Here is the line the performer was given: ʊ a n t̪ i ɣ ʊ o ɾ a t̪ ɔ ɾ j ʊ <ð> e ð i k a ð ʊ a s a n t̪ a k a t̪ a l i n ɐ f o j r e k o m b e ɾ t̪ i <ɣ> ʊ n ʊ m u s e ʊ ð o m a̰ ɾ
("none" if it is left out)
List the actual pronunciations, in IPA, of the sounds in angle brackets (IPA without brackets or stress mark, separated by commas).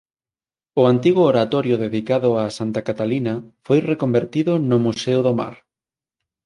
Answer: ð, ð